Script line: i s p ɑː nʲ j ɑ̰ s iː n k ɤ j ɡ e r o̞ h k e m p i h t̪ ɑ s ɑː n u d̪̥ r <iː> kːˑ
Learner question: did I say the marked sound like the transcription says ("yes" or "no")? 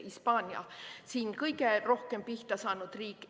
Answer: yes